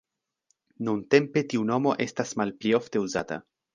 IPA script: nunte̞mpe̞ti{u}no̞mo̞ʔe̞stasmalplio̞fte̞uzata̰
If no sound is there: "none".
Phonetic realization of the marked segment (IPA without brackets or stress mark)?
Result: u